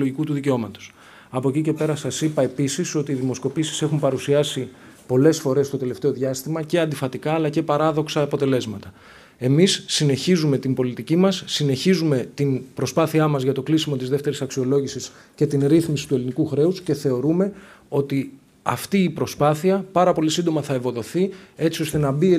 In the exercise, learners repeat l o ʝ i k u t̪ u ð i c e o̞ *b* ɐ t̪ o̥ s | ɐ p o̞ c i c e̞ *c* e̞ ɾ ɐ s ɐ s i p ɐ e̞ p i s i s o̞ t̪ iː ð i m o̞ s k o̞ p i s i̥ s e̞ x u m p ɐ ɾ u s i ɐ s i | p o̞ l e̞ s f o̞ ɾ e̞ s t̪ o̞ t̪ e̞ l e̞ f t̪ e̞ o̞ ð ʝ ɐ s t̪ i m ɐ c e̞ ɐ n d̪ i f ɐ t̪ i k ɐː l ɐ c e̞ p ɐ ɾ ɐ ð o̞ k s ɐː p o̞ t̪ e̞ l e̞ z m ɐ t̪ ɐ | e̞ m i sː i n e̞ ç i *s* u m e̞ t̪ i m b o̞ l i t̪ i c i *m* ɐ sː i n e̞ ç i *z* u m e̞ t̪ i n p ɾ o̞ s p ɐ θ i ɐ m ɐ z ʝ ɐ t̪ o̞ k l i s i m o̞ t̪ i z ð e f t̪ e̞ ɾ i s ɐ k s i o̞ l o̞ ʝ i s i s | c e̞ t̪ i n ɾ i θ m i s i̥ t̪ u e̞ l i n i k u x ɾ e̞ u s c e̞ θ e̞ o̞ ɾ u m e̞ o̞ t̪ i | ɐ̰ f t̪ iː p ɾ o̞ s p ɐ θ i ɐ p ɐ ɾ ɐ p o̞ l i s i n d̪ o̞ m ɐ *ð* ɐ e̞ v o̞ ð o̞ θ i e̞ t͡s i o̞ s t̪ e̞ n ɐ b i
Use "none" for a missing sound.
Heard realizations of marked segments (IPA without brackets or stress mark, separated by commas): m, p, z, m, z, θ